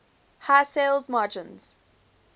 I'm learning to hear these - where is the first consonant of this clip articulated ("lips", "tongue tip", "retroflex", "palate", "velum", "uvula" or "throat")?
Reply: throat